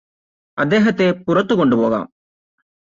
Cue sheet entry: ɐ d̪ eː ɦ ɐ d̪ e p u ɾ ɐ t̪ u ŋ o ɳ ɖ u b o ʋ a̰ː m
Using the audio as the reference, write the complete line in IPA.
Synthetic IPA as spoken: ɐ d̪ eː ɦ ɐ t̪ e p u ɾ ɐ t̪ u ɡ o ɳ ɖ u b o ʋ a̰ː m